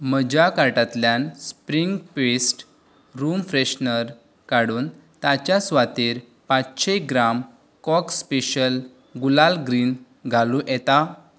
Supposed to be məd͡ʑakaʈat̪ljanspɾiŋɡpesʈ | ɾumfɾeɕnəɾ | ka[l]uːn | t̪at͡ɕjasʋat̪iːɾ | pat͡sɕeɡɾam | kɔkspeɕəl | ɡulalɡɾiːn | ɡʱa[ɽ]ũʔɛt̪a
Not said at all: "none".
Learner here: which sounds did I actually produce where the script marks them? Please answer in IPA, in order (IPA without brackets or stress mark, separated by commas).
ɽ, l